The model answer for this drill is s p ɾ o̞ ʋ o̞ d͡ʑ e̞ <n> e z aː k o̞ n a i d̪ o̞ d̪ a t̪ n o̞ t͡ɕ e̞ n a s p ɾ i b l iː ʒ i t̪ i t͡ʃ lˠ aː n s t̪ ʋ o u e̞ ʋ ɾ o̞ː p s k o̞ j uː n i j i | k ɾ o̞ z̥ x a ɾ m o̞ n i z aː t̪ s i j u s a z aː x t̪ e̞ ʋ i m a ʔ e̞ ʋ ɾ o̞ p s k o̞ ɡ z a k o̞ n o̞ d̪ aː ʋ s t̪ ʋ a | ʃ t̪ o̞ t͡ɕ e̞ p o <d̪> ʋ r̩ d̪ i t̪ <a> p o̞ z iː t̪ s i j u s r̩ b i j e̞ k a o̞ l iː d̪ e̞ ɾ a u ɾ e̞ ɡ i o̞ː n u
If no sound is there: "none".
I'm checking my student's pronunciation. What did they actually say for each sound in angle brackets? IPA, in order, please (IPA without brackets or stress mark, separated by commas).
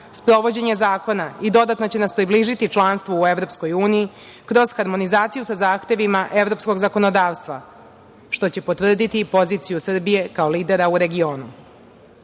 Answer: ɲ, t̪, i